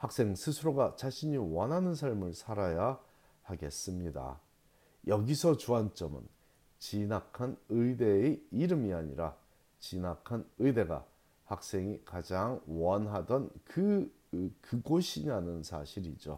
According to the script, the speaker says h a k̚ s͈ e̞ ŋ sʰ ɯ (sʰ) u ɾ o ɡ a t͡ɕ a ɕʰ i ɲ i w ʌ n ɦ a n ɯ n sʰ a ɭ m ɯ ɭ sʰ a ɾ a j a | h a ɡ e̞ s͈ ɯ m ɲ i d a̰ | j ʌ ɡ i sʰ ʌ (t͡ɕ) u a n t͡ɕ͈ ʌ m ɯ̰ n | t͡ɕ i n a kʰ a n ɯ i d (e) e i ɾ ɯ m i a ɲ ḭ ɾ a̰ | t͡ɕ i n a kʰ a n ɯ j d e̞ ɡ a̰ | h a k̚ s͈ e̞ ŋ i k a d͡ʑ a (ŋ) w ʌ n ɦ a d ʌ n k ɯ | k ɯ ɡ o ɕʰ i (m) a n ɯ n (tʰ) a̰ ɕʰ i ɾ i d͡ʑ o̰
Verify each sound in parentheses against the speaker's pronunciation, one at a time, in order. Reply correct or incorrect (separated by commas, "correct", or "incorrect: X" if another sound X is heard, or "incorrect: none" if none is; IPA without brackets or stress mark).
correct, correct, correct, correct, incorrect: n, incorrect: sʰ